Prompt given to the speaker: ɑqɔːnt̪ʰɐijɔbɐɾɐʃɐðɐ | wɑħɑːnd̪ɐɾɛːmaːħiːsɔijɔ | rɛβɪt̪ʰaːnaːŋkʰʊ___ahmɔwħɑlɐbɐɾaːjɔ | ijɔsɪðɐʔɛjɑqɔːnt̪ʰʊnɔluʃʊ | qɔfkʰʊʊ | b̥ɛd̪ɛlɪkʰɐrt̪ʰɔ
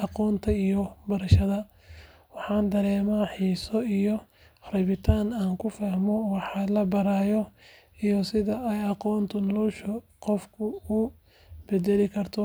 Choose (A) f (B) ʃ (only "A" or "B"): A